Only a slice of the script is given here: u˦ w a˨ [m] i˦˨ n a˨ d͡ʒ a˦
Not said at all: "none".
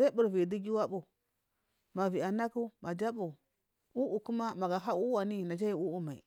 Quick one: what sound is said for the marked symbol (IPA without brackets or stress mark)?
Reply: n